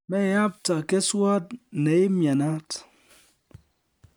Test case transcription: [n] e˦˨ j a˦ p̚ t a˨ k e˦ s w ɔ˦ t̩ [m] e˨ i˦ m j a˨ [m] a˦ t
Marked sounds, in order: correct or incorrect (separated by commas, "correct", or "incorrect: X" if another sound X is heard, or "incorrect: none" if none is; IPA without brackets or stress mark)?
incorrect: m, incorrect: n, incorrect: n